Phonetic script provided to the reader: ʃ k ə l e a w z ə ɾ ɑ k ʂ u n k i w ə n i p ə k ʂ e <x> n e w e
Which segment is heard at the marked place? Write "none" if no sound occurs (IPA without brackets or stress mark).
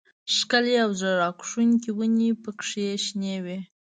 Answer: ʃ